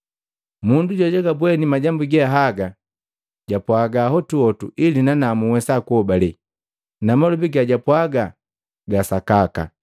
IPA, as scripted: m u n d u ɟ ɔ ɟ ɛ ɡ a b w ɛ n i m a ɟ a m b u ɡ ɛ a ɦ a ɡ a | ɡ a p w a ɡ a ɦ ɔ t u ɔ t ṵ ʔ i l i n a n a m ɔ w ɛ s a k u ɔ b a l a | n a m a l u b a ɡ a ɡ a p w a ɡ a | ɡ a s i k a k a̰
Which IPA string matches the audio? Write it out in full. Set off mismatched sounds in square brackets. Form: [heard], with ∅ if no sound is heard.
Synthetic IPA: m u n d u ɟ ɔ ɟ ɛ ɡ a b w ɛ n i m a ɟ a m b u ɡ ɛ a ɦ a ɡ a | [ɟ] a p w a ɡ a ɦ ɔ t u ɔ t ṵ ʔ i l i n a n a m [u] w ɛ s a k u ɔ b a l [ɛ] | n a m a l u b [i] ɡ a [ɟ] a p w a ɡ a | ɡ a s [a] k a k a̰